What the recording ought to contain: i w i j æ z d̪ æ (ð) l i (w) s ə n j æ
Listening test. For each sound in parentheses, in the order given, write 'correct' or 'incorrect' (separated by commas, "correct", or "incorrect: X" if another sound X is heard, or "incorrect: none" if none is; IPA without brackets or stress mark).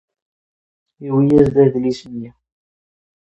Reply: correct, incorrect: none